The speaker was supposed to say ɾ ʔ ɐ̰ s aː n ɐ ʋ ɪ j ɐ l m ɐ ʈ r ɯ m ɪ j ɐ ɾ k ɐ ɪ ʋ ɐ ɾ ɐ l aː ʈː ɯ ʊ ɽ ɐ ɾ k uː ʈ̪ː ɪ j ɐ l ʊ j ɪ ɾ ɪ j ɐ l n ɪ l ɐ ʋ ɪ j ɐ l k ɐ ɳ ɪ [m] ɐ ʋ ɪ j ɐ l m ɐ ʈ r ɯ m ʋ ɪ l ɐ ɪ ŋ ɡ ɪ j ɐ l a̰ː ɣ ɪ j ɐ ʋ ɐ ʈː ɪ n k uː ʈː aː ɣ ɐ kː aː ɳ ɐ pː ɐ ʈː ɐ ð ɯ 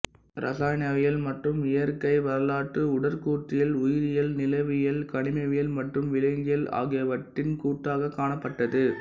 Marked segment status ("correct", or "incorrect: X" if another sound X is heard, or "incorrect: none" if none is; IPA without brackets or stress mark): correct